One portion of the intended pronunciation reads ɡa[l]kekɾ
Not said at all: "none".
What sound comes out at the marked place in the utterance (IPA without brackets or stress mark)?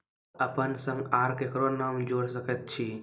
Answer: ɾ